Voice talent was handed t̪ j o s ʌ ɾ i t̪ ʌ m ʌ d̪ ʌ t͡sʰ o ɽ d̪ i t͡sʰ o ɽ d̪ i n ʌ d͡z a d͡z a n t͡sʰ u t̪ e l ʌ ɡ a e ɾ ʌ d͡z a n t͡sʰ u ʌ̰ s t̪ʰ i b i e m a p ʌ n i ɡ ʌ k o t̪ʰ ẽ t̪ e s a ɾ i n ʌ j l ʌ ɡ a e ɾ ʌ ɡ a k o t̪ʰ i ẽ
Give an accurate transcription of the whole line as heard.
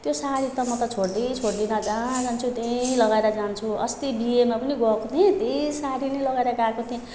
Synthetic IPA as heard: t̪ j o s a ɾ i t̪ ʌ m ʌ t̪ ʌ t͡sʰ o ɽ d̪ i t͡sʰ o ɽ d̪ i n ʌ d͡z a d͡z a n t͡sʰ u t̪ e l ʌ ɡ a e ɾ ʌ d͡z a n t͡sʰ u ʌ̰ s t̪ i b i e m a p ʌ n i ɡ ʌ k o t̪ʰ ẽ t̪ e s a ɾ i n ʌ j l ʌ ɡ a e ɾ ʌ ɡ a k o t̪ʰ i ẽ